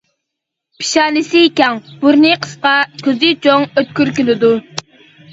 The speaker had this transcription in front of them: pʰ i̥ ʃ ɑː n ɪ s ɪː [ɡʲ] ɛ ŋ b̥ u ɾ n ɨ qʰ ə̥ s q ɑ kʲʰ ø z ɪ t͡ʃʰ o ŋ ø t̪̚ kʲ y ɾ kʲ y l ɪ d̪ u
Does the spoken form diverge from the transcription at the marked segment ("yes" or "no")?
yes